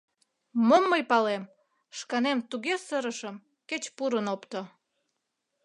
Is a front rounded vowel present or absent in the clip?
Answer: absent